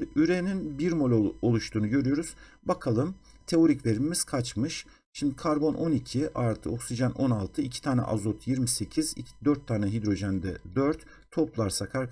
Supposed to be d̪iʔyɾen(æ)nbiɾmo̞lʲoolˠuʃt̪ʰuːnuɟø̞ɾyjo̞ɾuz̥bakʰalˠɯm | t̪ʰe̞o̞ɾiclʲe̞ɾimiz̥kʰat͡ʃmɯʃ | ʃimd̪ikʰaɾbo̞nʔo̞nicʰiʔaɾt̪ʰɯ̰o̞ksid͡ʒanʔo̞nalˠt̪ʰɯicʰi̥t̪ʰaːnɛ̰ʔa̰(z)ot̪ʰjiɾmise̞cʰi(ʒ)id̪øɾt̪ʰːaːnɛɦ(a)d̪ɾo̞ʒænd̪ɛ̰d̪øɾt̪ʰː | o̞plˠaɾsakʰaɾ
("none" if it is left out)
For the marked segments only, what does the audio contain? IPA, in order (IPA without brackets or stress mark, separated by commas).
i, z, z, i